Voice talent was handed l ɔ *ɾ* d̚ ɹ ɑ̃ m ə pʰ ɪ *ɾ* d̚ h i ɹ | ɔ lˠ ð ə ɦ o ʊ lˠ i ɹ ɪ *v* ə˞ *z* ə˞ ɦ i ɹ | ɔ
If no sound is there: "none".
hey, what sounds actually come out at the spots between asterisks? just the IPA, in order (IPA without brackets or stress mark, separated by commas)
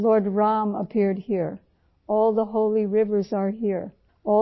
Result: ɹ, ɹ, v, z